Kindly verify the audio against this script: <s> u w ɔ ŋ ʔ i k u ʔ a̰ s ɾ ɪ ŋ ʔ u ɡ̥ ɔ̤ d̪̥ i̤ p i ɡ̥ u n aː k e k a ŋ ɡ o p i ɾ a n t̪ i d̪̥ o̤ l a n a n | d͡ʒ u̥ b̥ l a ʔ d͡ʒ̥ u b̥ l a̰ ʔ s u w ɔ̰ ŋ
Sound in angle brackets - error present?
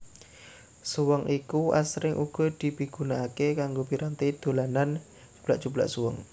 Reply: no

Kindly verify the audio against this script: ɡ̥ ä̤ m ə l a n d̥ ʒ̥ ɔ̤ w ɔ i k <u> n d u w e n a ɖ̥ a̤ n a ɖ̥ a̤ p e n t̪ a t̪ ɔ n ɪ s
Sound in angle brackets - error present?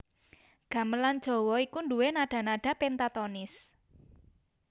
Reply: no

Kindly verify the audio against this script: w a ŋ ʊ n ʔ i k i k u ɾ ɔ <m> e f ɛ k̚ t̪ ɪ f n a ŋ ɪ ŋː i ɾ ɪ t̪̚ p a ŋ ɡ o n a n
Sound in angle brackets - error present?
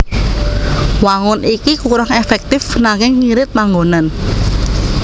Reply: yes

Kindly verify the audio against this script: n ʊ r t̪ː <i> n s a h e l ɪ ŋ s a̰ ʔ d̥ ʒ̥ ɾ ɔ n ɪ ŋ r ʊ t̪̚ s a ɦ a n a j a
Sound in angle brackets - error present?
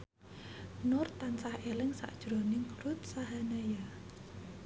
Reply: yes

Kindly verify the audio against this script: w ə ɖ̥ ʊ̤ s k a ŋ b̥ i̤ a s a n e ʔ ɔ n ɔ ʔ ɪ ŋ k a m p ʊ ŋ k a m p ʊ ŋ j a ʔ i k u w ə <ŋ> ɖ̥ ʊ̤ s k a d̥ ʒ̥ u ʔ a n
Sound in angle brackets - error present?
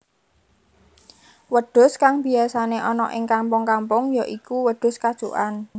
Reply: yes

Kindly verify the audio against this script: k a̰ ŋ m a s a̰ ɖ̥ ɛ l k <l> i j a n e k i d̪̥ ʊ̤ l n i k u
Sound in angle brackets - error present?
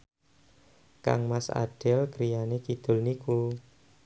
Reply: yes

